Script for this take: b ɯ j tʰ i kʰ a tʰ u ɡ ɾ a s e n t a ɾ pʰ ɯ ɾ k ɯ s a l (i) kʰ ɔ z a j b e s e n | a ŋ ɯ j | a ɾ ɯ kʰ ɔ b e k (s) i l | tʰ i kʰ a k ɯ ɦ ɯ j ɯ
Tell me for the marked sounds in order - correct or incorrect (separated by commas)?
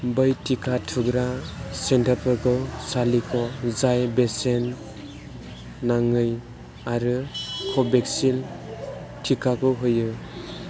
correct, correct